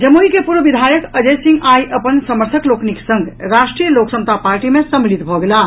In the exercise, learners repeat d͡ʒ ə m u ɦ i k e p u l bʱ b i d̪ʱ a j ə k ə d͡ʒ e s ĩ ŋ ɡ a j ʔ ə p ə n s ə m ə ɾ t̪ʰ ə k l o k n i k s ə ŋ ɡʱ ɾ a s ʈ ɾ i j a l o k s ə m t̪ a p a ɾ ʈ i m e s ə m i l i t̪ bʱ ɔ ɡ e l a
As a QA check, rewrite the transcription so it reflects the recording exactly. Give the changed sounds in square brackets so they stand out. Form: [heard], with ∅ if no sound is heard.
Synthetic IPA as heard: d͡ʒ ə m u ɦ i k e p u [ɾ] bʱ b i d̪ʱ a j ə k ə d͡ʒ e s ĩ ŋ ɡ a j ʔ ə p ə n s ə m ə ɾ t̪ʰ ə k l o k n i k s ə ŋ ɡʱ ɾ a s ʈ ɾ i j [ə] l o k s ə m t̪ a p a ɾ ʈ i m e s ə m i l i t̪ bʱ ɔ ɡ e l a